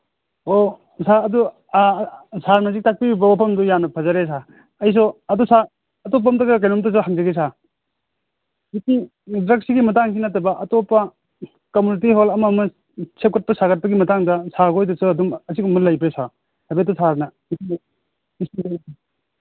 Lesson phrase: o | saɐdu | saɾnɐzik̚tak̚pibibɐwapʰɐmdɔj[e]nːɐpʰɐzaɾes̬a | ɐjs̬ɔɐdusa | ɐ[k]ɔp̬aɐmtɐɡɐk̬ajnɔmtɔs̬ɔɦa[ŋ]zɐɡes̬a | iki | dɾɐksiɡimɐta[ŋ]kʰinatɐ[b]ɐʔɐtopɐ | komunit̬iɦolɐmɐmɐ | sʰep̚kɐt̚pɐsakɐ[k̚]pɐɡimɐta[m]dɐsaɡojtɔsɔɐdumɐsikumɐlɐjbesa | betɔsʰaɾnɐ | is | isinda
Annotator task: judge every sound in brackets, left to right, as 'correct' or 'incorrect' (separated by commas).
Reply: incorrect, incorrect, correct, correct, correct, incorrect, incorrect